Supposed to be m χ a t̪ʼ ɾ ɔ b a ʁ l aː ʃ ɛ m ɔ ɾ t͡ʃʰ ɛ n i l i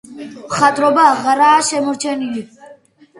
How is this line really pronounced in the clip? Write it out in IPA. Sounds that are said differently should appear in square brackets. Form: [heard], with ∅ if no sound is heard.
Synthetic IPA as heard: m χ a t̪ʼ ɾ ɔ b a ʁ [ɾ] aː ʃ ɛ m ɔ ɾ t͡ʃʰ ɛ n i l i